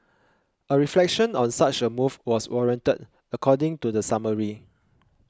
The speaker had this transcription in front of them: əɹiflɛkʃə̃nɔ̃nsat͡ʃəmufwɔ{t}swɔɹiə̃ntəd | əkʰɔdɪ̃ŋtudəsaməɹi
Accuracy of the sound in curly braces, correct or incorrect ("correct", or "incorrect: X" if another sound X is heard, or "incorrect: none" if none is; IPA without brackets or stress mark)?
incorrect: none